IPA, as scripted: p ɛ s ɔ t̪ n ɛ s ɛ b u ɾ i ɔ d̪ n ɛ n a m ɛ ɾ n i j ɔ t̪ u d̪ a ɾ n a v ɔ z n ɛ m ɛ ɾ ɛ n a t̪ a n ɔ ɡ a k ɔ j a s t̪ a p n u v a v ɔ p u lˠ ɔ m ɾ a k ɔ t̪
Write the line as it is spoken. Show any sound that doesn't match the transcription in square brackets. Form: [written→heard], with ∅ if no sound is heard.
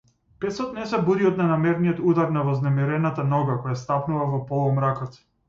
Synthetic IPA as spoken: p ɛ s ɔ t̪ n ɛ s ɛ b u ɾ i ɔ d̪ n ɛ n a m ɛ ɾ n i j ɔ t̪ u d̪ a ɾ n a v ɔ z n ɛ m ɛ ɾ ɛ n a t̪ a n ɔ ɡ a k ɔ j a s t̪ a p n u v a v ɔ p [u→ɔ] lˠ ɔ m ɾ a k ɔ t̪

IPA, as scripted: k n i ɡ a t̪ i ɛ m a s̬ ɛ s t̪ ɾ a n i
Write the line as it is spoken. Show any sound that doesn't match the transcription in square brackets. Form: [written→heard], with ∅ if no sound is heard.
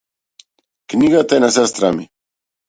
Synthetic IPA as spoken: k n i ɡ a t̪ [i→a] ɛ [m→n] a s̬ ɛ s t̪ ɾ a [n→m] i

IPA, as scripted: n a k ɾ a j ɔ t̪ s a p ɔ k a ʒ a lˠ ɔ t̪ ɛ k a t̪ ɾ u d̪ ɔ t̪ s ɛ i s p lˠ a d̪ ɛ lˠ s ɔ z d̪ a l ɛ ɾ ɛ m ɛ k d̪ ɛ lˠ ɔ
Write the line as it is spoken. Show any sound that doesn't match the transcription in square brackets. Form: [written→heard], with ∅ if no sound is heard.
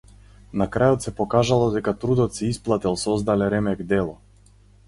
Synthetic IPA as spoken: n a k ɾ a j ɔ t̪ s [a→ɛ] p ɔ k a ʒ a lˠ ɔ [t̪→d̪] ɛ k a t̪ ɾ u d̪ ɔ t̪ s ɛ i s p lˠ a [d̪→t̪] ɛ lˠ s ɔ z d̪ a l ɛ ɾ ɛ m ɛ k d̪ ɛ lˠ ɔ

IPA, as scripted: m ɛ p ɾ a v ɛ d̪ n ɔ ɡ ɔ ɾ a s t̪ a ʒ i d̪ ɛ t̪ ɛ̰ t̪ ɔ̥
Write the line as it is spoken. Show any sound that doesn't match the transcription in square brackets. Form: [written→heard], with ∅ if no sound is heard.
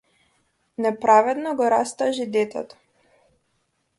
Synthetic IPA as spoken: [m→n] ɛ p ɾ a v ɛ d̪ n ɔ ɡ ɔ ɾ a s t̪ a ʒ i d̪ ɛ t̪ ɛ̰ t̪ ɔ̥

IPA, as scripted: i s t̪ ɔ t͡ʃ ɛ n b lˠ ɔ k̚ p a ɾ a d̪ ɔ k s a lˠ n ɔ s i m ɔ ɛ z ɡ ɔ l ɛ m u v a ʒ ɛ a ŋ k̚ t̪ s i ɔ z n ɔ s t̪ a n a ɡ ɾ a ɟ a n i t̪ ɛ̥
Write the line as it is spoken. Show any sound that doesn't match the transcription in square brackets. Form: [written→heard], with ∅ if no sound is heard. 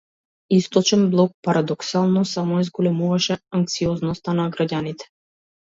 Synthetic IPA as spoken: i s t̪ ɔ t͡ʃ ɛ n b lˠ ɔ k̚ p a ɾ a d̪ ɔ k s a lˠ n ɔ s [i→a] m ɔ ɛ z ɡ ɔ l ɛ m u v a [ʒ→ʃ] ɛ a ŋ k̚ t̪ s i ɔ z n ɔ s t̪ a n a ɡ ɾ a ɟ a n i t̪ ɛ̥

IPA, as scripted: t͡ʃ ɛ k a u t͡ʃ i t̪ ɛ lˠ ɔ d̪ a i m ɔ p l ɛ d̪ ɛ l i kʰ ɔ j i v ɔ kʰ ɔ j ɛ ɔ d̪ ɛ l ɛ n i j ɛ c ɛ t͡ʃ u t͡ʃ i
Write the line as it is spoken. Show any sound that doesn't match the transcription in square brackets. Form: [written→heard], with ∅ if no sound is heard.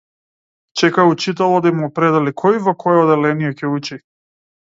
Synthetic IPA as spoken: t͡ʃ ɛ k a u t͡ʃ i t̪ ɛ lˠ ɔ d̪ a i m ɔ p [l→ɾ] ɛ d̪ ɛ l i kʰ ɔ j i v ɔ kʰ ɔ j ɛ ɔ d̪ ɛ l ɛ n i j ɛ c ɛ [t͡ʃ→∅] u t͡ʃ i

